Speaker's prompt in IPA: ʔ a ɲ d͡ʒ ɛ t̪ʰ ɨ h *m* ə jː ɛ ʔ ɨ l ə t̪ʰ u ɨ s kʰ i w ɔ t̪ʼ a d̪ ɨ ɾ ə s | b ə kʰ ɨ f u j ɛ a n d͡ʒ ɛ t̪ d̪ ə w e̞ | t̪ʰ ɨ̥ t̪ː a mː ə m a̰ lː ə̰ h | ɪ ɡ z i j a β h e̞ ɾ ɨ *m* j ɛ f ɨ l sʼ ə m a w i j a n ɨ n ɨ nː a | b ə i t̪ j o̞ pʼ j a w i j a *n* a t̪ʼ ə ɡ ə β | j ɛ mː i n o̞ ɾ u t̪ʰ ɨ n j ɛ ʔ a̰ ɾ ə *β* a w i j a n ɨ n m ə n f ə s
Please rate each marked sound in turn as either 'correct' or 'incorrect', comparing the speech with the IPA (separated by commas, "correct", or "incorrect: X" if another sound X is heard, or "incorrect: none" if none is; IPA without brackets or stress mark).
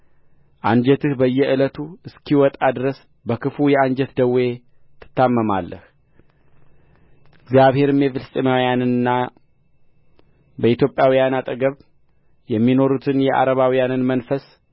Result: incorrect: b, correct, correct, correct